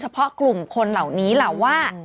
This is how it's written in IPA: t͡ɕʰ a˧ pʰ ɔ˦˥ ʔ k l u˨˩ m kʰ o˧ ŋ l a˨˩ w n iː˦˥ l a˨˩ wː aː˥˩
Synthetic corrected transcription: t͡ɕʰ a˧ pʰ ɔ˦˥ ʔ k l u˨˩ m kʰ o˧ n l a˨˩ w n iː˦˥ l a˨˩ wː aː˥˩